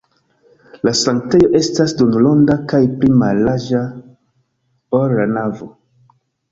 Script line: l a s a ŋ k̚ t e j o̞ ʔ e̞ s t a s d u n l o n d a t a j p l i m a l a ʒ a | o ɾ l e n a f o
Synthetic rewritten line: l a s a ŋ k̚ t e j o̞ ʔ e̞ s t a s d u n l o n d a k a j p l i m a l a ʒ a | o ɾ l a n a v o